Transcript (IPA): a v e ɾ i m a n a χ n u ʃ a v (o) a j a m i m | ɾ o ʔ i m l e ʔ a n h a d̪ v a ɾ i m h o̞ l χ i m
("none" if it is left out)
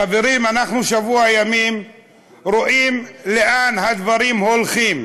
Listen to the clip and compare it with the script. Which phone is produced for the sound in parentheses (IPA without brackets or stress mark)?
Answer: u